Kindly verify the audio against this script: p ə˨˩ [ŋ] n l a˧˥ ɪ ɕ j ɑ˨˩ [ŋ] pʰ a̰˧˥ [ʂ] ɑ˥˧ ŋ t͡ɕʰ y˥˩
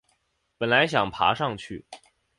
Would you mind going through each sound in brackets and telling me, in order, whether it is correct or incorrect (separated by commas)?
incorrect, correct, correct